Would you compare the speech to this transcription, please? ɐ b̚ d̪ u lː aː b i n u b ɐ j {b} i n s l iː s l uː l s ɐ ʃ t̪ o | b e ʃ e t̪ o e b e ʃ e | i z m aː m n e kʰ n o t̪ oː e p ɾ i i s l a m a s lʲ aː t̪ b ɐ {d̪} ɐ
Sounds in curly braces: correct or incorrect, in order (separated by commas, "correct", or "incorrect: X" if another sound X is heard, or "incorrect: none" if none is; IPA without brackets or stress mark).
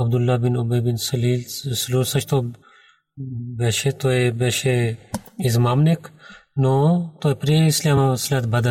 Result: correct, correct